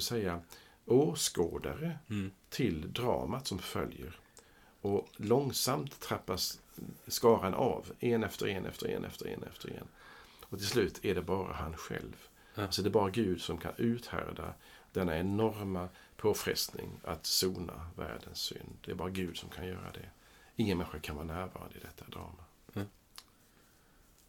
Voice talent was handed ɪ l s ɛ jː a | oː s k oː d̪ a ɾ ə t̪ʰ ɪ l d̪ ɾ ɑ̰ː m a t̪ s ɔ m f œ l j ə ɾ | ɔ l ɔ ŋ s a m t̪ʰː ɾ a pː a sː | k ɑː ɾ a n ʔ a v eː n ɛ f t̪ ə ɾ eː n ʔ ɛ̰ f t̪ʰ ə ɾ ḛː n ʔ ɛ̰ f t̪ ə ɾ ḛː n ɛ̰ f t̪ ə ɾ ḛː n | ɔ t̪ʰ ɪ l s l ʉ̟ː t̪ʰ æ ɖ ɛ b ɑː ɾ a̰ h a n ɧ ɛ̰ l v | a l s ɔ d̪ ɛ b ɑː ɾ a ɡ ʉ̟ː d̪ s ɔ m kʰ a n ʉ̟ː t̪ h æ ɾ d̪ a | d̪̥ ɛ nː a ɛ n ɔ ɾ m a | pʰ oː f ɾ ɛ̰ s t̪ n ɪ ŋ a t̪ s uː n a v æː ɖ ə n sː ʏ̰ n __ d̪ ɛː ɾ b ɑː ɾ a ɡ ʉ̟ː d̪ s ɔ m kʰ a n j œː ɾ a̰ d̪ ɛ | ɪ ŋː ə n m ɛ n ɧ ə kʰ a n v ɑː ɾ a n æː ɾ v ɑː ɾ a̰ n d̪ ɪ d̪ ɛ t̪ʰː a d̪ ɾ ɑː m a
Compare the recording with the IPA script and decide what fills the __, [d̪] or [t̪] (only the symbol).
d̪